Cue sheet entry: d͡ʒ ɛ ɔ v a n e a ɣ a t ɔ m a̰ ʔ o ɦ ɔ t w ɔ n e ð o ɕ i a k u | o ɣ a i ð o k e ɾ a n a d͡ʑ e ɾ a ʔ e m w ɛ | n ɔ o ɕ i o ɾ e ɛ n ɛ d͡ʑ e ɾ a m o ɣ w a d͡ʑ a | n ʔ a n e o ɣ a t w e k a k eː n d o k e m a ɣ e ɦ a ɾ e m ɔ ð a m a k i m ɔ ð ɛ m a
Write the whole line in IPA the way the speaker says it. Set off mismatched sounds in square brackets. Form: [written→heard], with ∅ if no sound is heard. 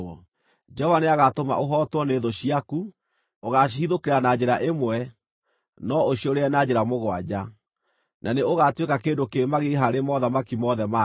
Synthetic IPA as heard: d͡ʒ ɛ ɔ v a n e a ɣ a t [ɔ→o] m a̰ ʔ o ɦ ɔ t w ɔ n e ð o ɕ i a k u | o ɣ a i ð o k e ɾ a n a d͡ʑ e ɾ a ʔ e m w ɛ | n ɔ o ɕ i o ɾ e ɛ n [ɛ→a] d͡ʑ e ɾ a m o ɣ w a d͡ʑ a | n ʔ a n e o ɣ a t w e k a k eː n d o k e m a ɣ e ɦ a ɾ e m ɔ ð a m a k i m ɔ ð ɛ m a